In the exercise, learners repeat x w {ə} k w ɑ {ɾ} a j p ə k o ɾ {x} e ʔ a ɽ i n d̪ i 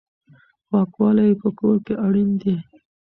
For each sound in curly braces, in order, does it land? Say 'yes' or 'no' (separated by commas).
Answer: no, no, no